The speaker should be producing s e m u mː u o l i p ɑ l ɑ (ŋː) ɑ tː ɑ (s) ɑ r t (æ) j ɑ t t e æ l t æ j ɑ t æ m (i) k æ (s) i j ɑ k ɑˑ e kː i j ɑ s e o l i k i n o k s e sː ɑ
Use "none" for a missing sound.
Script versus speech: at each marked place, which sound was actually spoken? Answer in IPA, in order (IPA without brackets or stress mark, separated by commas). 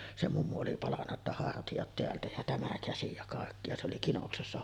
nː, h, i, æ, s